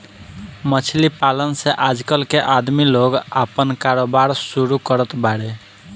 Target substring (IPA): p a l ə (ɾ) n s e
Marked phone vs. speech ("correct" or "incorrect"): incorrect